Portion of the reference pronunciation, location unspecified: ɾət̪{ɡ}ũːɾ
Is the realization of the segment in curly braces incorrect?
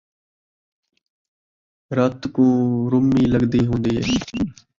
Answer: yes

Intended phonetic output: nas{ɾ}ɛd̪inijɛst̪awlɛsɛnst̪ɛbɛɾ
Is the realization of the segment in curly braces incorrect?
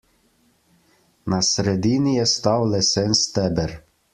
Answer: no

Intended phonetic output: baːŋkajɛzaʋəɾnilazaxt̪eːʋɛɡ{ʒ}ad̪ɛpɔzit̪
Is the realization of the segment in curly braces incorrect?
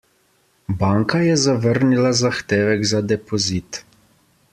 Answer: yes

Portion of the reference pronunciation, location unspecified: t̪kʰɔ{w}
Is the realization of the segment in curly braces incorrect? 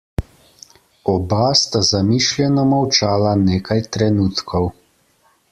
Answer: no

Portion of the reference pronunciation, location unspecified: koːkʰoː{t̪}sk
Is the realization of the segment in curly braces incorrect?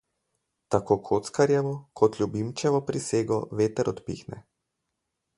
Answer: no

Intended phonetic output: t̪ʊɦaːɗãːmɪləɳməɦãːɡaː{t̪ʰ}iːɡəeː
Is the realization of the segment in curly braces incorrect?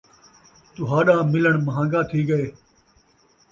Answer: no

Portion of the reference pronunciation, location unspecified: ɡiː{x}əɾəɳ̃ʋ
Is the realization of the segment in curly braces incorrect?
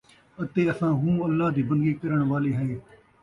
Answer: yes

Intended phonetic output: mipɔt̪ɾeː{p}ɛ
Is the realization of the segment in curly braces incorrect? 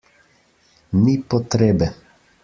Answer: yes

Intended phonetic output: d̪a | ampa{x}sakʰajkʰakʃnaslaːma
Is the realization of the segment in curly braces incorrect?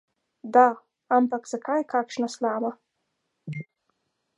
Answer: yes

